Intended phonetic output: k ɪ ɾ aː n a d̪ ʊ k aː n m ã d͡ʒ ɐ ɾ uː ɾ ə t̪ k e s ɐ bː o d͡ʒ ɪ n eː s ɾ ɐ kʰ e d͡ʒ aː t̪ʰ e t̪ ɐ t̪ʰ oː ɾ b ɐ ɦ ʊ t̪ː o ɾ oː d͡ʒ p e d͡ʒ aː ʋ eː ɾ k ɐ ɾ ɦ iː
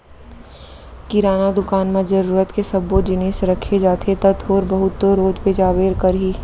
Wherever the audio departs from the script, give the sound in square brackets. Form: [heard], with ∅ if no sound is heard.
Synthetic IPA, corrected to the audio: k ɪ ɾ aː n a d̪ ʊ k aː n m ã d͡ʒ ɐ ɾ uː ɾ ə t̪ k e s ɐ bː o d͡ʒ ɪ n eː s ɾ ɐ kʰ e d͡ʒ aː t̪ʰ e t̪ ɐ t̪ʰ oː ɾ b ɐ ɦ ʊ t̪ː o ɾ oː d͡ʒ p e d͡ʒ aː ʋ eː ɾ k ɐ ɾ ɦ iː